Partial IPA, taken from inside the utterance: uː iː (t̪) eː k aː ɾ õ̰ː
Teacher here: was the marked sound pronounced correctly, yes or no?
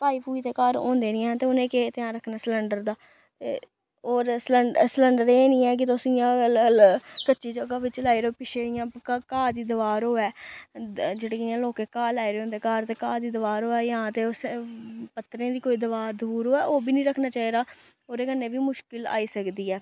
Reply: yes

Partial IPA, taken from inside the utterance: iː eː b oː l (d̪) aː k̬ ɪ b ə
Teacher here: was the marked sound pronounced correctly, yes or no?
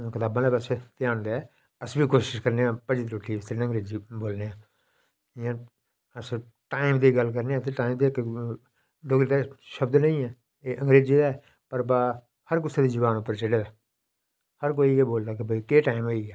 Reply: yes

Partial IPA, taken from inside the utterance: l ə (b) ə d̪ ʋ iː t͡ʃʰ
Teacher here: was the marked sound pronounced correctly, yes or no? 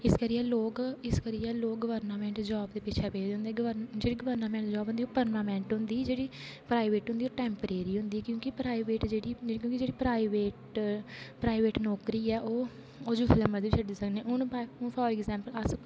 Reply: no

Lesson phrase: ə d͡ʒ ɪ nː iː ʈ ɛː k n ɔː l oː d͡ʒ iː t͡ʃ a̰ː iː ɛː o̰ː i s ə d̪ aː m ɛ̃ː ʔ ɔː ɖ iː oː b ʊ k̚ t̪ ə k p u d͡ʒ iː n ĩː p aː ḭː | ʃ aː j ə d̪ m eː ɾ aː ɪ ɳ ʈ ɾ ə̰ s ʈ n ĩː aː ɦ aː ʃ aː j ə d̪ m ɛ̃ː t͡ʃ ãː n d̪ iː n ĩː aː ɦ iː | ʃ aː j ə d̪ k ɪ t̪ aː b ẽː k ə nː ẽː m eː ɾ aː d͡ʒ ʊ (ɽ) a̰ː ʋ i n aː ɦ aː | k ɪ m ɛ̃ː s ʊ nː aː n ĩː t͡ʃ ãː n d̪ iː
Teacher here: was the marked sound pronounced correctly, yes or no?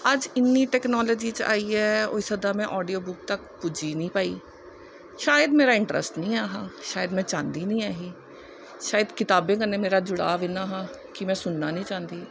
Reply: yes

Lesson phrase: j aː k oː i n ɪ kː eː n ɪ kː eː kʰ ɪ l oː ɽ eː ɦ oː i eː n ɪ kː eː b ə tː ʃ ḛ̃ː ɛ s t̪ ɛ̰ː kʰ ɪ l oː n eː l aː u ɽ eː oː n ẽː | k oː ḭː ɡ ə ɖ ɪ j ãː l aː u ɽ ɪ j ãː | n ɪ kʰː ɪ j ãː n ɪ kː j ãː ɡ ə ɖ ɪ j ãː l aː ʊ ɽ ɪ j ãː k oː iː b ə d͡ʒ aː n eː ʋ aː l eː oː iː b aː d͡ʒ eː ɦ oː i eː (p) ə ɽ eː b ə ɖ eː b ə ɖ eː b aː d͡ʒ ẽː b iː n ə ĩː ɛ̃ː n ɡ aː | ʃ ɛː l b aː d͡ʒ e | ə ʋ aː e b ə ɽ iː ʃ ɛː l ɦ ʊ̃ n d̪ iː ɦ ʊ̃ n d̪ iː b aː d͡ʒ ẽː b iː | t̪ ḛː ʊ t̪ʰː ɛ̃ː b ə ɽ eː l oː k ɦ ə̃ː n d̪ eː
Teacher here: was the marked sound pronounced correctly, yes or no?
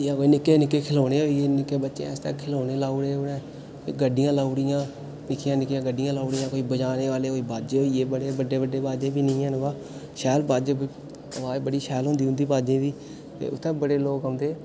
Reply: no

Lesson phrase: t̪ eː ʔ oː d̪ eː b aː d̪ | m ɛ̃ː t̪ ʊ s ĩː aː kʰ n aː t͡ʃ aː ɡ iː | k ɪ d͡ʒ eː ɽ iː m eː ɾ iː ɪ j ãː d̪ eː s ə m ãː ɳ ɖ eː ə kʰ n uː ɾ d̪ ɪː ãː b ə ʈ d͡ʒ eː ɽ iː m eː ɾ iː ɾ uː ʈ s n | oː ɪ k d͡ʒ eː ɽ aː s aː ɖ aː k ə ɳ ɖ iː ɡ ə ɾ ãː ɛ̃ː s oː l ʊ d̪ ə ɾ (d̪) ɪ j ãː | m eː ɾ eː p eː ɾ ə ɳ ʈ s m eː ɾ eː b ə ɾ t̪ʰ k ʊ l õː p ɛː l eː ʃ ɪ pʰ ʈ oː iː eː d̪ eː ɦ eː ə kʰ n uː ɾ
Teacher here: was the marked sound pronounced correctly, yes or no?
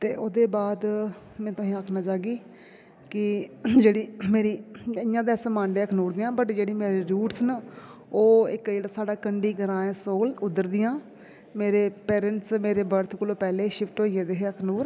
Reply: yes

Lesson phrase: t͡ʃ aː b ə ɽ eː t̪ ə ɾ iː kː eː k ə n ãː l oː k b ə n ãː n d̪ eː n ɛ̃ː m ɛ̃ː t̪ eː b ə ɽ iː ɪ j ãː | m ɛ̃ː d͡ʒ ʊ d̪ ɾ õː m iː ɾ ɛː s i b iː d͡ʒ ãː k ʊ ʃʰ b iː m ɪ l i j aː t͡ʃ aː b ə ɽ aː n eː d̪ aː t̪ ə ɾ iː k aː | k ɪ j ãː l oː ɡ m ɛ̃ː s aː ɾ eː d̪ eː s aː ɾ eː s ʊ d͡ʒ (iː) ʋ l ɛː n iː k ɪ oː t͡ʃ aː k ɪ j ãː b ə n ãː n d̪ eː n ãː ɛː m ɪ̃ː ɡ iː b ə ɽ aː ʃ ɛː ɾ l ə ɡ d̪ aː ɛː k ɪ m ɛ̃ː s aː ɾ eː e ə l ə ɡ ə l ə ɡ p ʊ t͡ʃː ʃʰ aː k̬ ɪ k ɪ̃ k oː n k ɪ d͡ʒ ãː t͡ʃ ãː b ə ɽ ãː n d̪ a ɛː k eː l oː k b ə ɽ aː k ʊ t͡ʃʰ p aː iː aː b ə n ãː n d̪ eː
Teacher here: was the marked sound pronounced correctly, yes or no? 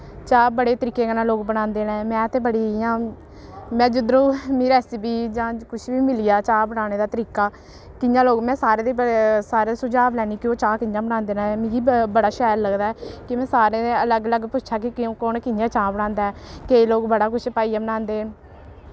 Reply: no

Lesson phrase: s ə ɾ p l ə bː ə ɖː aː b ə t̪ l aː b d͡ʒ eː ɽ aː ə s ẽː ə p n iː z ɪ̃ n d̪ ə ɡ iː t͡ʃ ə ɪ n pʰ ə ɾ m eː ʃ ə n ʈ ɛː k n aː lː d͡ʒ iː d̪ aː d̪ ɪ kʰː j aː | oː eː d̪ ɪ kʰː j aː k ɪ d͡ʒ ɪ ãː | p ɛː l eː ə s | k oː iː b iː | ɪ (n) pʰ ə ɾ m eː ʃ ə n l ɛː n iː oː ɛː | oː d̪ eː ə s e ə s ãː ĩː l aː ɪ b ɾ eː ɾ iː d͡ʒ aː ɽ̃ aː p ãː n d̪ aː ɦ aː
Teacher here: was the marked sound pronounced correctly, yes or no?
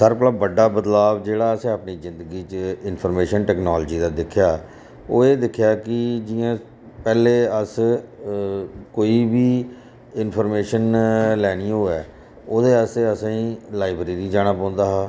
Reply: yes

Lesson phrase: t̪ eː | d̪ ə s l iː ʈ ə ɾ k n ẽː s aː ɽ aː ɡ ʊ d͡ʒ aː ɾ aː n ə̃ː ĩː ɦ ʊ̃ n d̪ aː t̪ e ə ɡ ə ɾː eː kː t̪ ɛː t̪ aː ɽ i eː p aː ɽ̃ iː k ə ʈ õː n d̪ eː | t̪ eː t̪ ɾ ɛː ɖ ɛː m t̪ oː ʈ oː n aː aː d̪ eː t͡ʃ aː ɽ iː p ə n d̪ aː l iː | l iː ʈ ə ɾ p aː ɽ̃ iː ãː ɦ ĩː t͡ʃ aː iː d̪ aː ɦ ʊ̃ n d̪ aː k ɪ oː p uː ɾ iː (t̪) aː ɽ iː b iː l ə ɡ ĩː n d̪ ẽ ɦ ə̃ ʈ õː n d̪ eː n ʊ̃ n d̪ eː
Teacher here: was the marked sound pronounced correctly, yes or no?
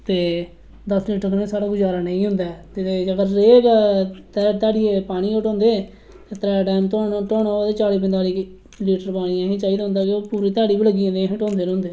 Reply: yes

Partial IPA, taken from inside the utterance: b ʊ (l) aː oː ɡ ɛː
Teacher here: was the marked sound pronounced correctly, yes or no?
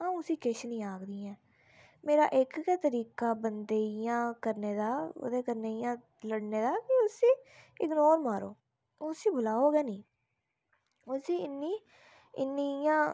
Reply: yes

